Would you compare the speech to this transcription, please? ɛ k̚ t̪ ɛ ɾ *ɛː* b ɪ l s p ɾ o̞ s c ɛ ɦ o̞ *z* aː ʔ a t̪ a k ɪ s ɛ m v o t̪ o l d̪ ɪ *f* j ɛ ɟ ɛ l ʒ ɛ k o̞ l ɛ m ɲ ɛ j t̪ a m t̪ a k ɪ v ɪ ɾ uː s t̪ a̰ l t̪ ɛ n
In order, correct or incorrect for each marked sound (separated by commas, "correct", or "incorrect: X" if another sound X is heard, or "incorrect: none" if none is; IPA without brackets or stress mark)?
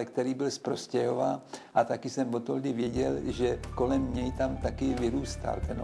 incorrect: iː, incorrect: v, incorrect: v